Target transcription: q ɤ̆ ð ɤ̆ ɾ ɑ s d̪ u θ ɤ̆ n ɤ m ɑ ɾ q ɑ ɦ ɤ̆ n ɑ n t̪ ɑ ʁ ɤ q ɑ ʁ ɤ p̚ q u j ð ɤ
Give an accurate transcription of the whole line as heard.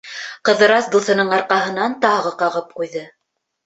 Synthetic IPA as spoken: q ɤ̆ ð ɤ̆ ɾ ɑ s d̪ u θ ɤ̆ n ɤ ɴ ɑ ɾ q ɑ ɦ ɤ̆ n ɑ n t̪ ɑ ʁ ɤ q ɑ ʁ ɤ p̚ q u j ð ɤ